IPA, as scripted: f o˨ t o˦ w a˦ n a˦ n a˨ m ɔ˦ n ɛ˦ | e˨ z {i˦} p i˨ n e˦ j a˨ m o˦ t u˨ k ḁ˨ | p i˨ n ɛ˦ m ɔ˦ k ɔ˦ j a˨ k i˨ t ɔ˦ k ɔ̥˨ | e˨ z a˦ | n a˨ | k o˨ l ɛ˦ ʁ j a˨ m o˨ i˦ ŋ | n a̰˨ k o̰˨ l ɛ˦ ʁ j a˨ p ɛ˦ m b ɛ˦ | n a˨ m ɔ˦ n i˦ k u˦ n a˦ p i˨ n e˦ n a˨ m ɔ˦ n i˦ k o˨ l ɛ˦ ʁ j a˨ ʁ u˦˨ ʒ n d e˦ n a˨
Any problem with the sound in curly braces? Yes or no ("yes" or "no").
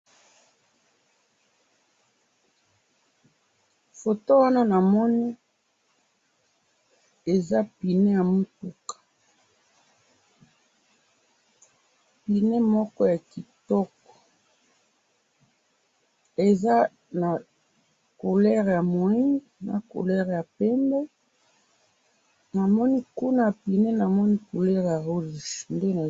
yes